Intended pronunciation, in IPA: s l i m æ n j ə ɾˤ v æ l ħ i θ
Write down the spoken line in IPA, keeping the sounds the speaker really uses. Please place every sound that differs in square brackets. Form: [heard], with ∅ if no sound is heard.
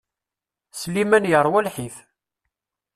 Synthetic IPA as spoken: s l i m æ n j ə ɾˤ [w] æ l ħ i θ